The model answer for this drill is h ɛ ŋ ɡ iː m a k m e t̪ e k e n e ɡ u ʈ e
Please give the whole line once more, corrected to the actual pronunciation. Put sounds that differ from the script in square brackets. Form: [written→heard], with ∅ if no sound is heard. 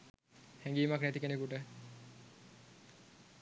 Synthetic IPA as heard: h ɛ ŋ ɡ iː m a k [m→n] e t̪ [e→i] k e n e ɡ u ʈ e

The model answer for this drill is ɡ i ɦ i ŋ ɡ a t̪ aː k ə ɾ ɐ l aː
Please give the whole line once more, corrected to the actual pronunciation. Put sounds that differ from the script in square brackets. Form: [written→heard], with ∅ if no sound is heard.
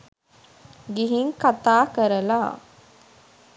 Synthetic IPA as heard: ɡ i ɦ i ŋ [ɡ→k] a t̪ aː k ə ɾ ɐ l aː

